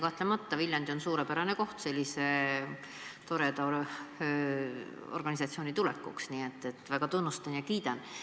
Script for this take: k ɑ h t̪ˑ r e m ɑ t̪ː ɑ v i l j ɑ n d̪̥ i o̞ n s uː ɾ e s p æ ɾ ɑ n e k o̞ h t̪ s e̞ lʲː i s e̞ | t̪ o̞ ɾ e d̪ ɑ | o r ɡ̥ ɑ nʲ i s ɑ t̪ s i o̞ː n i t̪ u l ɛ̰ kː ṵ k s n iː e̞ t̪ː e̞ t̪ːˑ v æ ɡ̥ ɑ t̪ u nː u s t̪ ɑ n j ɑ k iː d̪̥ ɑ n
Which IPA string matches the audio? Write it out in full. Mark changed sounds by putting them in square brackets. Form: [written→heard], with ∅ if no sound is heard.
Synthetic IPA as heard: k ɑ h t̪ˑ [r→l] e m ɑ t̪ː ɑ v i l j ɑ n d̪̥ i o̞ n s uː ɾ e [s→∅] p æ ɾ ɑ n e k o̞ h t̪ s e̞ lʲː i s e̞ | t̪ o̞ ɾ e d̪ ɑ | o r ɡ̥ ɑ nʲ i s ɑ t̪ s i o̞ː n i t̪ u l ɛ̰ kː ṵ k s n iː e̞ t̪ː e̞ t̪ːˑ v æ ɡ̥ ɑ t̪ u nː u s t̪ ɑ n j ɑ k iː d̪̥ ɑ n